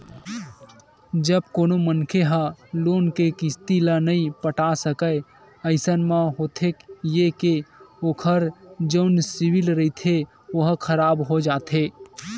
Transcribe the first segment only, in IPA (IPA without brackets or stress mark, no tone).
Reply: d͡ʒ